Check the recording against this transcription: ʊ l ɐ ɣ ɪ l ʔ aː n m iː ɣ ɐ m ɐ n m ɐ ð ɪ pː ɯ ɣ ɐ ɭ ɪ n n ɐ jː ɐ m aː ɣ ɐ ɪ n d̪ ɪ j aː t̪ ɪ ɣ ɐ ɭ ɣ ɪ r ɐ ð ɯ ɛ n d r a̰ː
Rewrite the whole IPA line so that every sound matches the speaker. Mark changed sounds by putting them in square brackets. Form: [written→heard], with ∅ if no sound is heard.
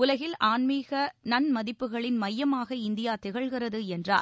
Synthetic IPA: ʊ l ɐ ɣ ɪ l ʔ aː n m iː ɣ ɐ [m→n] ɐ n m ɐ ð ɪ pː ɯ ɣ ɐ ɭ ɪ n [n→m] ɐ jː ɐ m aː ɣ ɐ ɪ n d̪ ɪ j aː t̪ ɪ ɣ ɐ ɭ ɣ ɪ r ɐ ð ɯ ɛ n d r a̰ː

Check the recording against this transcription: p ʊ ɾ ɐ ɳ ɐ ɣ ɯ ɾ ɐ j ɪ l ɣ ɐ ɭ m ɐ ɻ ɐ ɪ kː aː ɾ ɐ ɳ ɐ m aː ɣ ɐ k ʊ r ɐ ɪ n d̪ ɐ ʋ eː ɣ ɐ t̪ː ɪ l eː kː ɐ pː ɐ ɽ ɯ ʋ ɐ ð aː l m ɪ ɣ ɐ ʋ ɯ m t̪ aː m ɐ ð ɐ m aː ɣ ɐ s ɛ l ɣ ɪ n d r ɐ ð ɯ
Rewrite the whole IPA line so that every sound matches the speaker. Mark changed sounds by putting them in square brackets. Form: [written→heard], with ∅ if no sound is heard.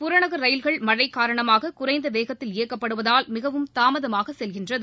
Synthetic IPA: p ʊ ɾ ɐ ɳ ɐ ɣ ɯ ɾ ɐ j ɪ l ɣ ɐ ɭ m ɐ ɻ ɐ ɪ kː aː ɾ ɐ ɳ ɐ m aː ɣ ɐ k ʊ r ɐ ɪ n d̪ ɐ ʋ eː ɣ ɐ t̪ː ɪ l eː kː ɐ pː ɐ ɽ ɯ ʋ ɐ ð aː l m ɪ ɣ ɐ ʋ ɯ m t̪ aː m ɐ ð ɐ m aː ɣ ɐ s ɛ l ɣ ɪ n d r ɐ ð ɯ

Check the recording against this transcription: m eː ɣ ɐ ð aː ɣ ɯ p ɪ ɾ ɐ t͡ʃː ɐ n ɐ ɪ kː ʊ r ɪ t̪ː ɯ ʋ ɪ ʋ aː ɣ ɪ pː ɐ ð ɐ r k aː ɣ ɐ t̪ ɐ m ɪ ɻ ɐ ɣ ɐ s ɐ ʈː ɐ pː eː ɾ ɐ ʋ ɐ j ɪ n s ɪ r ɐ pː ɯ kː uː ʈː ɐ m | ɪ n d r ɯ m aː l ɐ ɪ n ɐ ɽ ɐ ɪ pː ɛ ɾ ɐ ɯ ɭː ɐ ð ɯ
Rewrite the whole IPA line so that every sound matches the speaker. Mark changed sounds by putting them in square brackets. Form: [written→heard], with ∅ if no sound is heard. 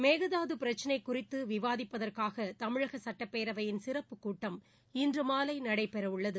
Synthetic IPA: m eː ɣ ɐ ð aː [ɣ→ð] ɯ p ɪ ɾ ɐ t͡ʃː ɐ n ɐ ɪ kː ʊ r ɪ t̪ː ɯ ʋ ɪ ʋ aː [ɣ→ð] ɪ pː ɐ ð ɐ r k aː ɣ ɐ t̪ ɐ m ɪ ɻ ɐ ɣ ɐ s ɐ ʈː ɐ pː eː ɾ ɐ ʋ ɐ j ɪ n s ɪ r ɐ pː ɯ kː uː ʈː ɐ m | ɪ n d r ɯ m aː l ɐ ɪ n ɐ ɽ ɐ ɪ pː ɛ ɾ ɐ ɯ ɭː ɐ ð ɯ

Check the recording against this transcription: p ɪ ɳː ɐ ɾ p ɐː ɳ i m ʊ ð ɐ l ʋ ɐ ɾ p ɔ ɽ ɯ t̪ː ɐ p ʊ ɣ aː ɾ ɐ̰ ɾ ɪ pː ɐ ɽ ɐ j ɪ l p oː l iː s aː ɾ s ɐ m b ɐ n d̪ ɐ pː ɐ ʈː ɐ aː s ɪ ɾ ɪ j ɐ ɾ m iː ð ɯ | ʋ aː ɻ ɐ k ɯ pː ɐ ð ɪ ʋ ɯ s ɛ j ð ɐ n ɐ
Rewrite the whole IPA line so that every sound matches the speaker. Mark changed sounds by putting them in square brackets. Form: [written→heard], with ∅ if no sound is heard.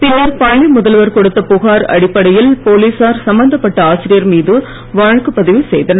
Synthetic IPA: p ɪ [ɳː→nː] ɐ ɾ p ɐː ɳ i m ʊ ð ɐ l ʋ ɐ ɾ [p→k] ɔ ɽ ɯ t̪ː ɐ p ʊ ɣ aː ɾ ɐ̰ [ɾ→ɽ] ɪ pː ɐ ɽ ɐ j ɪ l p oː l iː s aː ɾ s ɐ m b ɐ n d̪ ɐ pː ɐ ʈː ɐ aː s ɪ ɾ ɪ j ɐ ɾ m iː ð ɯ | ʋ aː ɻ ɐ k ɯ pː ɐ ð ɪ ʋ ɯ s ɛ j ð ɐ n ɐ

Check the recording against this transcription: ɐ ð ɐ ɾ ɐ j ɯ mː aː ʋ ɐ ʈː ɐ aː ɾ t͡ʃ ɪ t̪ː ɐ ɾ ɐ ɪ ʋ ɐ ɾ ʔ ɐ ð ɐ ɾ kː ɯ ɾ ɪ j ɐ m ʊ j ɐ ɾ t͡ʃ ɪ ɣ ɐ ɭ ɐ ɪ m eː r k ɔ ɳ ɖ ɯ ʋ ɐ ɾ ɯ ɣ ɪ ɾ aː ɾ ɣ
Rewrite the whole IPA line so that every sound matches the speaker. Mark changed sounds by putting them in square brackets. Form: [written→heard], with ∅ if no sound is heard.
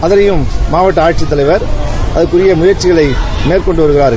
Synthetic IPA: ɐ ð ɐ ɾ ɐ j ɯ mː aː ʋ ɐ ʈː ɐ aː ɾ t͡ʃ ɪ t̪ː ɐ [ɾ→l] ɐ ɪ ʋ ɐ ɾ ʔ ɐ ð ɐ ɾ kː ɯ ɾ ɪ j ɐ m ʊ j ɐ ɾ t͡ʃ ɪ ɣ ɐ ɭ ɐ ɪ m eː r k ɔ ɳ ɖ ɯ ʋ ɐ ɾ ɯ ɣ ɪ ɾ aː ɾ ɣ

